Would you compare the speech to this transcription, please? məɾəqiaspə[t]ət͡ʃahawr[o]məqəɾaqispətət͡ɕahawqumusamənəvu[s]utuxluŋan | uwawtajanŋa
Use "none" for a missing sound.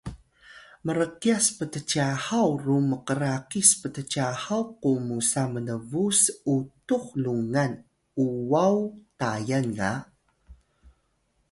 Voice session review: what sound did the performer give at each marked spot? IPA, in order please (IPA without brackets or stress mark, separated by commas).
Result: t, u, s